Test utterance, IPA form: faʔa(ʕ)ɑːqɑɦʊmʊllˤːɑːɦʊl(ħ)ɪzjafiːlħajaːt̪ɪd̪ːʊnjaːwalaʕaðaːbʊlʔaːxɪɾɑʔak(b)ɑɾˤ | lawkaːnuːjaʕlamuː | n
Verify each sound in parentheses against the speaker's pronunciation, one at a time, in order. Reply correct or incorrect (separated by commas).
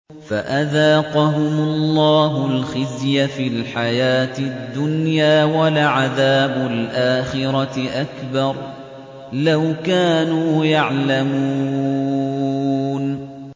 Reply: incorrect, incorrect, correct